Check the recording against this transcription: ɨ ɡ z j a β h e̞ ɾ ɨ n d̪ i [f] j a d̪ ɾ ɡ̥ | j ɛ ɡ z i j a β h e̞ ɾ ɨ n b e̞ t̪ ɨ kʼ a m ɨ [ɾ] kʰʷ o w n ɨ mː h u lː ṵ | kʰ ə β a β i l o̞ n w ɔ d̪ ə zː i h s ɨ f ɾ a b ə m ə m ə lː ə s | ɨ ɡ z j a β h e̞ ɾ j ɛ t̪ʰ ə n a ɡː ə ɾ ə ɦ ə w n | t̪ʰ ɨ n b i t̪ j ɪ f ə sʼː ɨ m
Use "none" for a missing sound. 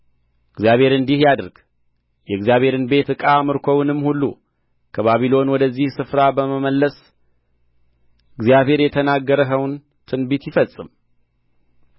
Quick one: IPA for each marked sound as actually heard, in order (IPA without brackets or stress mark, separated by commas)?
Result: h, ɾ